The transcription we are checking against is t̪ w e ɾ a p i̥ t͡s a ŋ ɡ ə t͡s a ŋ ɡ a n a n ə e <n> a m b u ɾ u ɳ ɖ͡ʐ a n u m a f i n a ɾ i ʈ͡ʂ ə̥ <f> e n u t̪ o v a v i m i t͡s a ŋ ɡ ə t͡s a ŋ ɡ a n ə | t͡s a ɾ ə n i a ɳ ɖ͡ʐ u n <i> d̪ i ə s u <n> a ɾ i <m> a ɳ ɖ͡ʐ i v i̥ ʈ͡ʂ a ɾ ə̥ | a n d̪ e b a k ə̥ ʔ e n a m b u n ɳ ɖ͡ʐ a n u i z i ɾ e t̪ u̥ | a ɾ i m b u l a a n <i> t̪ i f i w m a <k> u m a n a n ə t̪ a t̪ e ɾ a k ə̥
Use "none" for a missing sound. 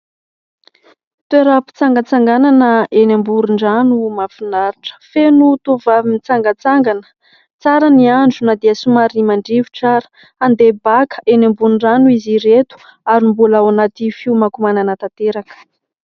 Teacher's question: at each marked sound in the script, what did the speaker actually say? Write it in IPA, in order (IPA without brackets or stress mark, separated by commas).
n, f, a, m, m, a, k